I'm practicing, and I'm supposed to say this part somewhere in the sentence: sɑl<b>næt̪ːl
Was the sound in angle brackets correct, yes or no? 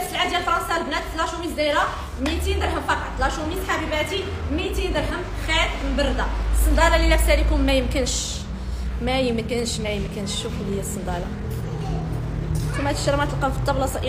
yes